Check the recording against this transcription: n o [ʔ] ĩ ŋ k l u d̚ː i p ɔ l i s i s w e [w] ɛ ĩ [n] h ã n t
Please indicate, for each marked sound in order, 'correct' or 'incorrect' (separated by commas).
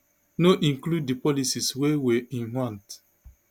correct, correct, correct